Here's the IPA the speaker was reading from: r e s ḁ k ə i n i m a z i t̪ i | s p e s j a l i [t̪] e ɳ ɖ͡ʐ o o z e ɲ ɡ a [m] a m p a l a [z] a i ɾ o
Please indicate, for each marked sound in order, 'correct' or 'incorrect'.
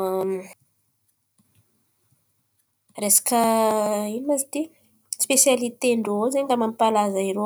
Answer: correct, correct, correct

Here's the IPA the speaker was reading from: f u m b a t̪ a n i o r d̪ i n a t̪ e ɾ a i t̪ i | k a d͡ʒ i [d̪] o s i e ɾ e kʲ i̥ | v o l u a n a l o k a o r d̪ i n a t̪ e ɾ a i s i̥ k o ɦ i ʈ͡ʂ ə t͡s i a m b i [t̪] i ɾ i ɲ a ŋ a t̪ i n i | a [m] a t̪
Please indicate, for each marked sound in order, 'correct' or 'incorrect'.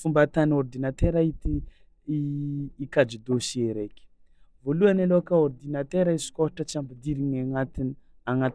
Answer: correct, incorrect, incorrect

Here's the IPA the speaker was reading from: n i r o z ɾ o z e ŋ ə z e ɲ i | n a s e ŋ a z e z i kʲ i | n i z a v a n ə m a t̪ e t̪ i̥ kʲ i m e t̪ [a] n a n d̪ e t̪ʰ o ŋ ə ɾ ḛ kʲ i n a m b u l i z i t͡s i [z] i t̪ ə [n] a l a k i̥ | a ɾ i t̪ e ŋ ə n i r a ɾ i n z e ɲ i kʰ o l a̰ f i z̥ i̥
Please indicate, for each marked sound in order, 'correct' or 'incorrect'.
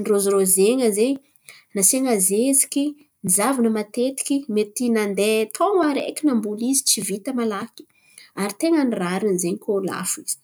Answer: incorrect, incorrect, incorrect

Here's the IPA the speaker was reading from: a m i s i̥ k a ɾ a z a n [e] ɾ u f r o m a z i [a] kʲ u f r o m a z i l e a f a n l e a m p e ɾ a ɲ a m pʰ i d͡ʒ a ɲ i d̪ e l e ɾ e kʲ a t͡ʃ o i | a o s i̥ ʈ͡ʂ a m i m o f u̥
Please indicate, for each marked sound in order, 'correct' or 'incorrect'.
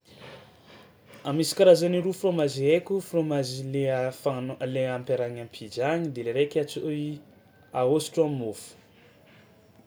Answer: incorrect, incorrect

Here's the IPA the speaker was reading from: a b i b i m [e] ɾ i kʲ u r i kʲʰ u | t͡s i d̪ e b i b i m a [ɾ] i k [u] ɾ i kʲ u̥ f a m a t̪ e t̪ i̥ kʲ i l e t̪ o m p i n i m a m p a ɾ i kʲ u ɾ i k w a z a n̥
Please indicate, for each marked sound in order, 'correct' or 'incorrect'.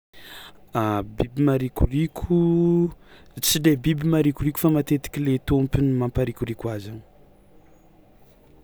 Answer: incorrect, correct, correct

